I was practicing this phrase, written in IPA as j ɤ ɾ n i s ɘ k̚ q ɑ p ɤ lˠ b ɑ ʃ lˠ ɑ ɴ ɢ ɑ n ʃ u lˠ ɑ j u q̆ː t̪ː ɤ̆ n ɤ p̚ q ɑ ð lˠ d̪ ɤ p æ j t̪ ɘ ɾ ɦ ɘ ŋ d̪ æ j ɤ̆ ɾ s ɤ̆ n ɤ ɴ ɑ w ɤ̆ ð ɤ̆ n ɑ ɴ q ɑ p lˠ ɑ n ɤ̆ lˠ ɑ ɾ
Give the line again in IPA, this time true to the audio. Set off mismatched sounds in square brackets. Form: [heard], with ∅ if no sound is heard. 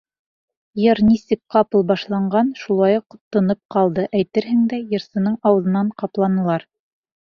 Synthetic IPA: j ɤ ɾ n i s ɘ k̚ q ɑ p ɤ lˠ b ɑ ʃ lˠ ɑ ɴ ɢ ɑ n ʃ u lˠ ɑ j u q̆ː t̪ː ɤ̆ n ɤ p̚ q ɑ [∅] lˠ d̪ ɤ [ʔ] æ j t̪ ɘ ɾ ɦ ɘ ŋ d̪ æ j ɤ̆ ɾ s ɤ̆ n ɤ ɴ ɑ w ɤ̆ ð ɤ̆ n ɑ ɴ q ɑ p lˠ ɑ n ɤ̆ lˠ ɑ ɾ